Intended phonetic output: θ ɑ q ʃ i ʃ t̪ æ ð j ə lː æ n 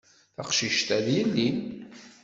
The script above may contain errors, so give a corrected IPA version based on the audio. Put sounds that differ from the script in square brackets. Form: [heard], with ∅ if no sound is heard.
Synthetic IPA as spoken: θ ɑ q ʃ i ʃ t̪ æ ð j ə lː [i] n